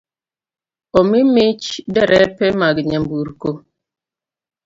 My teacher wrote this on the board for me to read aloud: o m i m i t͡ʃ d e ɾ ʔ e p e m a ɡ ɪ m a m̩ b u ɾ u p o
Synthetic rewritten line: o m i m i t͡ʃ d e ɾ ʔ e p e m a ɡ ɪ ɲ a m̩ b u ɾ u k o